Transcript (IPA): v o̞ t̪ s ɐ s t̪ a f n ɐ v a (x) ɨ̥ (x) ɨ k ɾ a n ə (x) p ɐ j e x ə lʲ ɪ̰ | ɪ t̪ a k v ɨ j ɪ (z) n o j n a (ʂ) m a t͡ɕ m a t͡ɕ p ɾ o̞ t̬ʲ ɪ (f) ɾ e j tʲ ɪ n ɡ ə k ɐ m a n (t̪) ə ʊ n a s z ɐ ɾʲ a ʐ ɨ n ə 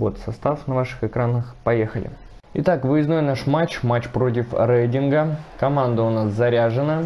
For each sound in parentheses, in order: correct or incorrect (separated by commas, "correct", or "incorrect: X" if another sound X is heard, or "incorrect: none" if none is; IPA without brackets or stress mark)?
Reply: incorrect: ʂ, correct, correct, correct, correct, correct, incorrect: d̪